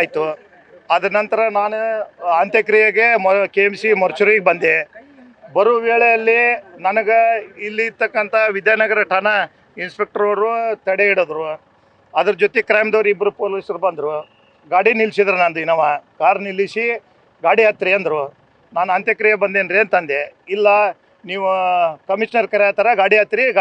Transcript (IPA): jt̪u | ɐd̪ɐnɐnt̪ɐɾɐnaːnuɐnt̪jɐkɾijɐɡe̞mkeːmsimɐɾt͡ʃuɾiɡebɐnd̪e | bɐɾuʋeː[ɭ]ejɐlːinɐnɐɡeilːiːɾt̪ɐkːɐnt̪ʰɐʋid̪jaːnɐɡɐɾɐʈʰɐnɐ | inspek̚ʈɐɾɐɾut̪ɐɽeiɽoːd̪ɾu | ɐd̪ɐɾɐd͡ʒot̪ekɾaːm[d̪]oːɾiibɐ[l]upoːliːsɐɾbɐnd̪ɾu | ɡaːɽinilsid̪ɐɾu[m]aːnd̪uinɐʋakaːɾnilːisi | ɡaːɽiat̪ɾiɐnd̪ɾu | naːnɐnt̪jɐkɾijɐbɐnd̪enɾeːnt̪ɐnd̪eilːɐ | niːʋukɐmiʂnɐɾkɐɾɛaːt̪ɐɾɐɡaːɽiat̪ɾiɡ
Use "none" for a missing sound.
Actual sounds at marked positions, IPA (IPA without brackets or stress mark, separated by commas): ɭ, d̪, ɾ, n